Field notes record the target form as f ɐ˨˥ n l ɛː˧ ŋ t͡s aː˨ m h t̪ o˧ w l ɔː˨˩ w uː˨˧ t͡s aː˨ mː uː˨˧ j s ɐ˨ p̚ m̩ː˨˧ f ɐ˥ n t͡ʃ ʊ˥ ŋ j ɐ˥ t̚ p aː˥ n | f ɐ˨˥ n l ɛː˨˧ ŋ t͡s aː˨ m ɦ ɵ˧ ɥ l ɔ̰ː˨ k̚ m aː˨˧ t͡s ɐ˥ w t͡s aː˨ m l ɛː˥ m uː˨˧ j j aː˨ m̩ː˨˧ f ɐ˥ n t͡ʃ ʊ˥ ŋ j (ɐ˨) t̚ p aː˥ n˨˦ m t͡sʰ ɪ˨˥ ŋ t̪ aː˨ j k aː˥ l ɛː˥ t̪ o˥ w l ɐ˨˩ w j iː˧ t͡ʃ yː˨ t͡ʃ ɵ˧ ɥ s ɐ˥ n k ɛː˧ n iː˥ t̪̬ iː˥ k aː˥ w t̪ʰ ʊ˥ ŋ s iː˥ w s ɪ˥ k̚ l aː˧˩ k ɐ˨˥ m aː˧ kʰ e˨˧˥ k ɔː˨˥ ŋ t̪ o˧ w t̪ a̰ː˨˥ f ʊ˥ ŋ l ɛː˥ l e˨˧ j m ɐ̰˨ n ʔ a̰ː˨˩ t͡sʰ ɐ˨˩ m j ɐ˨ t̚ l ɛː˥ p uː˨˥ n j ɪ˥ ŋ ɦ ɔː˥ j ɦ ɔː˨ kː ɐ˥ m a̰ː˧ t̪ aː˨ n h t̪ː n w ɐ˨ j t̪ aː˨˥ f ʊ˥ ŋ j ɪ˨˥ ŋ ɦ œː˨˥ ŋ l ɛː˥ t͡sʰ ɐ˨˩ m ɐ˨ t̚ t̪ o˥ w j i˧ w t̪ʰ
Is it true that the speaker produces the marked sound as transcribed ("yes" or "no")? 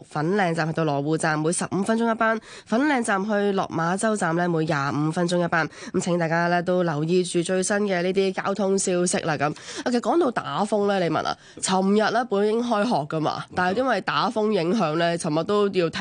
no